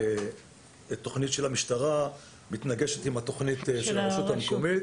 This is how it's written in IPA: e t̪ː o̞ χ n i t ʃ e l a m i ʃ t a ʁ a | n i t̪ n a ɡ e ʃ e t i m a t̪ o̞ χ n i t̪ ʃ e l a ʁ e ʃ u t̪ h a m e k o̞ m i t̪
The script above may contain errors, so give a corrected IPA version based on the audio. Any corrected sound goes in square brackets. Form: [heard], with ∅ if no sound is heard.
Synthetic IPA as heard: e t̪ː o̞ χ n i t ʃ e l a m i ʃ t a ʁ a | [m] i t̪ n a ɡ e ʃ e t i m a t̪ o̞ χ n i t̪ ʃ e l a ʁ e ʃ u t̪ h a m e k o̞ m i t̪